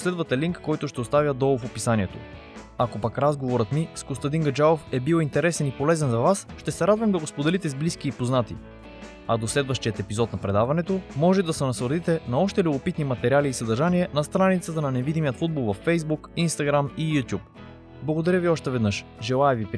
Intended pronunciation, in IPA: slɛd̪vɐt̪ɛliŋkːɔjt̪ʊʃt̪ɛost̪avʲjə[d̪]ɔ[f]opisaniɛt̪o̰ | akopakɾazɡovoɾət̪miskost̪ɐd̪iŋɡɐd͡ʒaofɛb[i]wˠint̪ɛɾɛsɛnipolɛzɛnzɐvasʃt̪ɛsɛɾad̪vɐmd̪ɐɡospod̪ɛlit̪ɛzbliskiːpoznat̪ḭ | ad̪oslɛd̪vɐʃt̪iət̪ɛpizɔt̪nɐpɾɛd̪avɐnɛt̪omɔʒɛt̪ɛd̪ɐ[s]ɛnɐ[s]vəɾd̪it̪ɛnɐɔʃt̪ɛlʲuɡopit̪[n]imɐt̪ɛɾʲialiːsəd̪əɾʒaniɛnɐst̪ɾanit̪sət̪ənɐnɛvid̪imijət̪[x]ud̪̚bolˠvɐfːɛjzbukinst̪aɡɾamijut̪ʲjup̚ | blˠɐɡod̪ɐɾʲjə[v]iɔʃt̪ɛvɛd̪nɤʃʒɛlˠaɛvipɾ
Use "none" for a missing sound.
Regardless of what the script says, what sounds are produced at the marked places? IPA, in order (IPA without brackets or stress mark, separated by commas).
d̪, f, i, s, s, n, f, v